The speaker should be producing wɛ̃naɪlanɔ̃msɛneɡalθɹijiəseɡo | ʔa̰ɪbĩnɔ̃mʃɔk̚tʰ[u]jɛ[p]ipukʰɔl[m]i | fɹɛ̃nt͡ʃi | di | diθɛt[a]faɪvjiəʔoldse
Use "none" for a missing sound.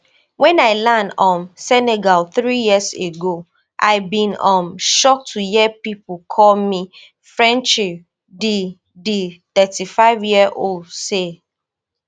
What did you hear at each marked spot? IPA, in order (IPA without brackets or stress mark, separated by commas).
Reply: u, p, m, i